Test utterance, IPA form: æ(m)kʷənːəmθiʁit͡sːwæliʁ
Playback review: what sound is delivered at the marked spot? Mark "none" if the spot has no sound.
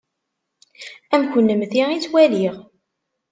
m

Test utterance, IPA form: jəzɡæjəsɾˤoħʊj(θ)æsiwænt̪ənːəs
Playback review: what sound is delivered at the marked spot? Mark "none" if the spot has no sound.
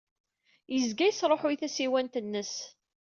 θ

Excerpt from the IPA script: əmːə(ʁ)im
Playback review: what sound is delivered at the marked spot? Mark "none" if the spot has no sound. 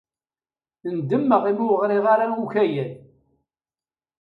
ʁ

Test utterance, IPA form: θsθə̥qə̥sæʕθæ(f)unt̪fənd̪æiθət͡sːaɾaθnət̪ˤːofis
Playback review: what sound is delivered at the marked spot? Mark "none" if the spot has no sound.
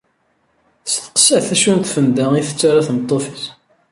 ʃ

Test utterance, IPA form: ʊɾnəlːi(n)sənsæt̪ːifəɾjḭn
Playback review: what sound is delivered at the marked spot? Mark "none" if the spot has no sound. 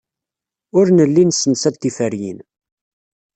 n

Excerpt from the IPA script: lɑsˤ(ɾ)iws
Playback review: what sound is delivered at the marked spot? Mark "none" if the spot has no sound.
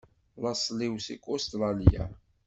l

